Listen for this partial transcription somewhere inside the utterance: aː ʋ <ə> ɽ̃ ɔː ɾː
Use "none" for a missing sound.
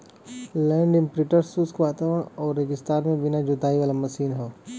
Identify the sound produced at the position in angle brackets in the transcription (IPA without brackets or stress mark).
ə